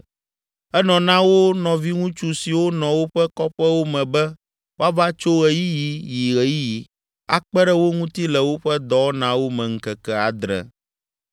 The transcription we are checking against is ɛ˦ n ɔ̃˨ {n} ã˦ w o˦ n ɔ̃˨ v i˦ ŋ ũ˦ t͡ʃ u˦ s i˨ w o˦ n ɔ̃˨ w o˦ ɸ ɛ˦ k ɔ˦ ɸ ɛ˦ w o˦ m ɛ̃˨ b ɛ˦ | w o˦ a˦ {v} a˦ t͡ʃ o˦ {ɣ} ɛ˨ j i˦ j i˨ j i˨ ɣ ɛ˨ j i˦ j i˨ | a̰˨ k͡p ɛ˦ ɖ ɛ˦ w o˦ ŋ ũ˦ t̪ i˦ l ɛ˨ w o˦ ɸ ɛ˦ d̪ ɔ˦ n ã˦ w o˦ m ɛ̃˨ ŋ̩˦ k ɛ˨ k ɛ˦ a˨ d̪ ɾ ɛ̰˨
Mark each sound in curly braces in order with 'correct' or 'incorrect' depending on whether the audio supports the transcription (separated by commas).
correct, correct, correct